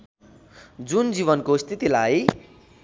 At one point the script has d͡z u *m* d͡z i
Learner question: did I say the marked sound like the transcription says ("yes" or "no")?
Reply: no